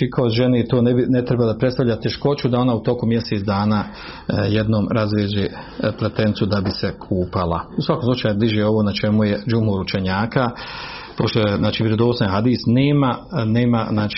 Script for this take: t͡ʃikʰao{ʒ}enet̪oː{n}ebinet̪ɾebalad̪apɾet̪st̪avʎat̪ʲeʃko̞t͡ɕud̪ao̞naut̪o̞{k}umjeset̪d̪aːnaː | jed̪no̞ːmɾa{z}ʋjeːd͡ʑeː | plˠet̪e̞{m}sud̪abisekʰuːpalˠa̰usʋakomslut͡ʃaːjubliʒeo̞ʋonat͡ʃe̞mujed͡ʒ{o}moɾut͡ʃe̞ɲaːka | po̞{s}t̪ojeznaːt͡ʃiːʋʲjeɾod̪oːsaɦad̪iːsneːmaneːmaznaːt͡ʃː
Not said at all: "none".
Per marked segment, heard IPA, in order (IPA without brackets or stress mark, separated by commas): ʒ, n, k, z, n, u, ʃ